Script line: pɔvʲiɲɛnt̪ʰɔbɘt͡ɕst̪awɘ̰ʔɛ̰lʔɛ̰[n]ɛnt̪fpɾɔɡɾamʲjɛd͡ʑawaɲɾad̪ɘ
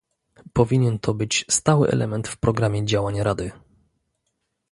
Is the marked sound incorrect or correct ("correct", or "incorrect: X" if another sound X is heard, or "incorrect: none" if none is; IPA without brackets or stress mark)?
incorrect: m